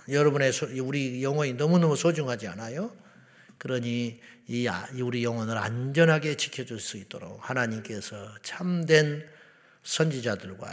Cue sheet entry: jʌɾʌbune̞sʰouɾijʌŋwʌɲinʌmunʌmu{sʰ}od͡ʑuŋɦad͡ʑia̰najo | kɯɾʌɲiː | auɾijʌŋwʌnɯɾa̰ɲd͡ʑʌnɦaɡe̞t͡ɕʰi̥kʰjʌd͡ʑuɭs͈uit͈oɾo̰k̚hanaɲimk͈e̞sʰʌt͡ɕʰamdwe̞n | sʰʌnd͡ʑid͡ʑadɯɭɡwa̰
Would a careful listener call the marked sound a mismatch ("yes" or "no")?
no